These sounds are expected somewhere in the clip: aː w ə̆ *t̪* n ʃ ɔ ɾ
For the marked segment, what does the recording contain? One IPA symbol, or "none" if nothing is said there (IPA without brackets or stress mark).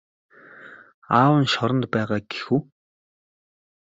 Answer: none